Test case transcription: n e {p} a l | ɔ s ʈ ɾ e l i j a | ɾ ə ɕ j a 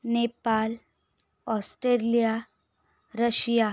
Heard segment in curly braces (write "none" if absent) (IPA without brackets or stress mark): p